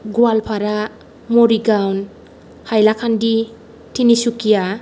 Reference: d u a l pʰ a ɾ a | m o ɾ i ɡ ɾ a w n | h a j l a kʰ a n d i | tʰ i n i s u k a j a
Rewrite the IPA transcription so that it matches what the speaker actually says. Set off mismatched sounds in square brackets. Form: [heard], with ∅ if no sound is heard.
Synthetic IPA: [ɡ] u a l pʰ a ɾ a | m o ɾ i ɡ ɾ a w n | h a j l a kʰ a n d i | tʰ i n i s u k [i] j a